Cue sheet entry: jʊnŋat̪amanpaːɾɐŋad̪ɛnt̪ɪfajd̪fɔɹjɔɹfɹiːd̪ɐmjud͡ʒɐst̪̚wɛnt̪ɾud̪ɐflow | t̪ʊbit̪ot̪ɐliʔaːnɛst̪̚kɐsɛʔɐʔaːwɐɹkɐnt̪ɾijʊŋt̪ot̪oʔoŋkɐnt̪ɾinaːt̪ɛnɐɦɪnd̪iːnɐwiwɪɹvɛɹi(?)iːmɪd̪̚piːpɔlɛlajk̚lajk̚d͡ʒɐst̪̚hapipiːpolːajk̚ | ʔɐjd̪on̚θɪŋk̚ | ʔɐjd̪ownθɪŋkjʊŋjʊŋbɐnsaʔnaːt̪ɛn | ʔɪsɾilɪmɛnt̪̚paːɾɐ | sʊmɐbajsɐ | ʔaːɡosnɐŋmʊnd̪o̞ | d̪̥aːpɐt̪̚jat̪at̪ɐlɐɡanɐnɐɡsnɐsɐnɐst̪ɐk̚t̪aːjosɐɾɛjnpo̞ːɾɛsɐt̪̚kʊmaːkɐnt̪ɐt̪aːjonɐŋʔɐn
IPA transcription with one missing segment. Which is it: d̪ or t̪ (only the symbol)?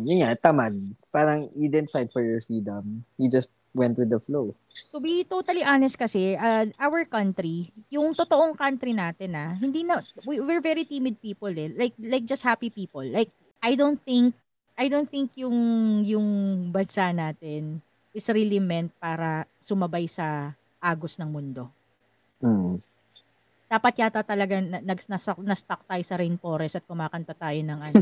t̪